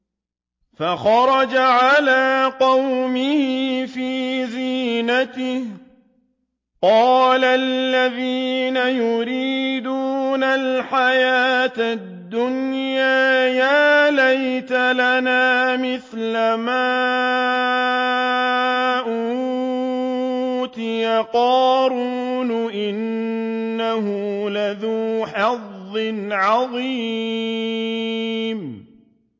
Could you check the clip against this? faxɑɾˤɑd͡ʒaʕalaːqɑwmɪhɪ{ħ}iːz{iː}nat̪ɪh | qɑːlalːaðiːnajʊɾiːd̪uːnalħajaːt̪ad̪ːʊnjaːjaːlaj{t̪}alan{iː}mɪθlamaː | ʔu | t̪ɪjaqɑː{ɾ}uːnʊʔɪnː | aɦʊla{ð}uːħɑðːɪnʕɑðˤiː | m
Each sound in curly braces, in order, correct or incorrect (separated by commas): incorrect, correct, correct, incorrect, correct, correct